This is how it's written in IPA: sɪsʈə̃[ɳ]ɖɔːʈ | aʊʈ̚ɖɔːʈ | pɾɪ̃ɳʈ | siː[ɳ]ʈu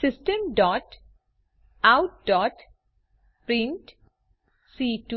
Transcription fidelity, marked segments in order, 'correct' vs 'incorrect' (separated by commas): incorrect, incorrect